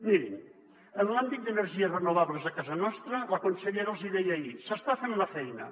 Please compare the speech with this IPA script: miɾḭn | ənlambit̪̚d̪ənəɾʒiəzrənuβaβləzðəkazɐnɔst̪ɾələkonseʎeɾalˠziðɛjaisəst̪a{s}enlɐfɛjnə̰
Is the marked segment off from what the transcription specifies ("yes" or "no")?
yes